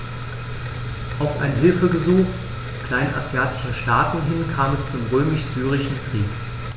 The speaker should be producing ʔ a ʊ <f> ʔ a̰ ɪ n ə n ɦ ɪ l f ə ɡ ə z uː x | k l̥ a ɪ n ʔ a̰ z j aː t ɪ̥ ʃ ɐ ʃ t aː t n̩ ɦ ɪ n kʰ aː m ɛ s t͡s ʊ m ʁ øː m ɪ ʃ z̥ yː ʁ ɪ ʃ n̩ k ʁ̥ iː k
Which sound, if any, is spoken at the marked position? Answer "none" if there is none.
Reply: f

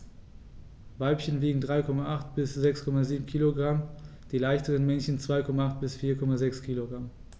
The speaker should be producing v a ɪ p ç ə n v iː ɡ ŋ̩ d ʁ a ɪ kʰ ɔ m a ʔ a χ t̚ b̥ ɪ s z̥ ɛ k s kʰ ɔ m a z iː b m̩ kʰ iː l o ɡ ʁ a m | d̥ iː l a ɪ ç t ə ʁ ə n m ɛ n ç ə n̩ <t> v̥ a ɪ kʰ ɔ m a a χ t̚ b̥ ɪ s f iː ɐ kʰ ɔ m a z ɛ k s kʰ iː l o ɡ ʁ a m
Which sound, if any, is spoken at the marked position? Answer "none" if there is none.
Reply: t͡s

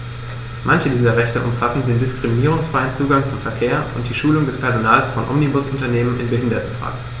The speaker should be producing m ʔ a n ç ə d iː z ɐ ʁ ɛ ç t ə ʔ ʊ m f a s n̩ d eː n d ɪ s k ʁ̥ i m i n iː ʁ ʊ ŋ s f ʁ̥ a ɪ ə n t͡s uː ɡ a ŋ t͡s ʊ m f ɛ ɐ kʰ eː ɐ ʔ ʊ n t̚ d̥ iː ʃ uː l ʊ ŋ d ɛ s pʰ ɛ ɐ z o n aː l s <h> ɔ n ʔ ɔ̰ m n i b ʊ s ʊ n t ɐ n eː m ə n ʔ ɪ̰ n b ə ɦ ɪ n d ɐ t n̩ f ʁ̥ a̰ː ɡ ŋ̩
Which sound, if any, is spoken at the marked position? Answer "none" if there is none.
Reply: f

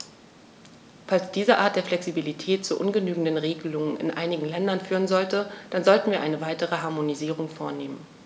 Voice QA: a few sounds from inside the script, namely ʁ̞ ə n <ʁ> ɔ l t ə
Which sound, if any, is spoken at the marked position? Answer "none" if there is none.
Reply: z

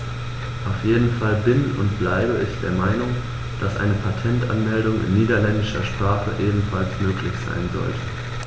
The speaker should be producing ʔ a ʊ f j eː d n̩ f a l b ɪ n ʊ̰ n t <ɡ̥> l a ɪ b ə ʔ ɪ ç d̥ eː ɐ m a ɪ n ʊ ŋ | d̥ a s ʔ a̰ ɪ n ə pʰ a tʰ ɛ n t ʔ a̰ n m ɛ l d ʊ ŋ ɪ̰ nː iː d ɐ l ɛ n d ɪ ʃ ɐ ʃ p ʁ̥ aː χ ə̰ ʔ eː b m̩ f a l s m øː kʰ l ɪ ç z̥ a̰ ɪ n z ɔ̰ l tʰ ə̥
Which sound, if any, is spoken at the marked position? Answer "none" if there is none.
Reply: b̥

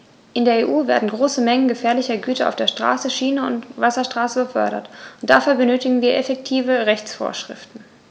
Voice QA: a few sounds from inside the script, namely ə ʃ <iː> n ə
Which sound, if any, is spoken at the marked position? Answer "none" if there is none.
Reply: iː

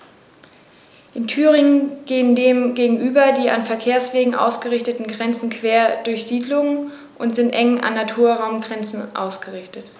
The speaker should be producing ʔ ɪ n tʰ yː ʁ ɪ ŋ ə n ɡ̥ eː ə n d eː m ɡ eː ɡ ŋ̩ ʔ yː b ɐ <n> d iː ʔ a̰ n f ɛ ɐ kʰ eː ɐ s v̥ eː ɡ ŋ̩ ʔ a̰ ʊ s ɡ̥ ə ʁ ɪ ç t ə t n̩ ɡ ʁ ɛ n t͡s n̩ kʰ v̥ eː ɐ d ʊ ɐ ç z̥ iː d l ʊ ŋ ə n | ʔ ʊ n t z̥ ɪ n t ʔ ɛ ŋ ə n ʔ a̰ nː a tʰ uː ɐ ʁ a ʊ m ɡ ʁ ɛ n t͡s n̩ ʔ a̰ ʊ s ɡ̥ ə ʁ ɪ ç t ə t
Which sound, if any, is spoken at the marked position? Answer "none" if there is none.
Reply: none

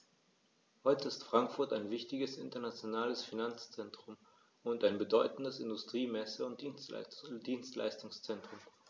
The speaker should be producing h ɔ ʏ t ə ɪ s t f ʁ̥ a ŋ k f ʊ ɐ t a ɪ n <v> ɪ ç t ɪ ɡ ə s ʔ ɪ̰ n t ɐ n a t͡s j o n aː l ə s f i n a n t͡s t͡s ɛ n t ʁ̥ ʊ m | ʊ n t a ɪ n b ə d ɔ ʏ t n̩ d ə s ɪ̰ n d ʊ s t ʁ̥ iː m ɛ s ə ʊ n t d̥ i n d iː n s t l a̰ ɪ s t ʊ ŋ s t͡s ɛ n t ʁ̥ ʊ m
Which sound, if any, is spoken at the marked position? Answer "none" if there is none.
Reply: v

